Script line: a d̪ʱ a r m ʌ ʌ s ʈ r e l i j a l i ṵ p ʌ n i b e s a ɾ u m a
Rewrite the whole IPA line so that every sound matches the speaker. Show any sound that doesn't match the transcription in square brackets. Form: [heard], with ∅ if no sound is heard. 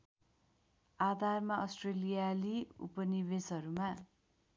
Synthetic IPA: a d̪ʱ a r m [a] ʌ s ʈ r e l i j a l i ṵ p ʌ n i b e s [ʌ] ɾ u m a